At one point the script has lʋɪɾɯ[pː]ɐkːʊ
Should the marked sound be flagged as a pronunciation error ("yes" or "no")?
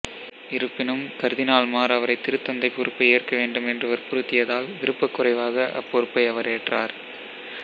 no